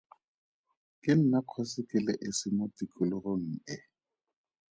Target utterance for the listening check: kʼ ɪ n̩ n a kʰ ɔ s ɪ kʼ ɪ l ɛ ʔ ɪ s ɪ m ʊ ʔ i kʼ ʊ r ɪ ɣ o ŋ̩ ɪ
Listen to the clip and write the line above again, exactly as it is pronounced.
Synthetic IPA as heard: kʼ ɪ n̩ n a kʰ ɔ s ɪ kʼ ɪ l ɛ ʔ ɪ s ɪ m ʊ t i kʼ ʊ l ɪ ɣ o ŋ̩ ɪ